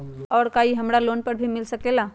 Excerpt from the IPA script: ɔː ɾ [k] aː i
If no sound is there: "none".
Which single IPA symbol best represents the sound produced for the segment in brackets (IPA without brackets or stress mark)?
k